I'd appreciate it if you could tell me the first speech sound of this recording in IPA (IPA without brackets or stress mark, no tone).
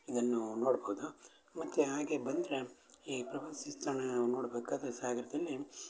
i